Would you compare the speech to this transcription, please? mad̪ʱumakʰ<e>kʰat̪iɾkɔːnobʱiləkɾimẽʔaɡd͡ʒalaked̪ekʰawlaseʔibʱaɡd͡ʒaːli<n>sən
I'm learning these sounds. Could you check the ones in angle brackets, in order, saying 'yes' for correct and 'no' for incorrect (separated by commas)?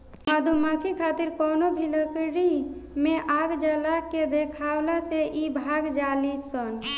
no, no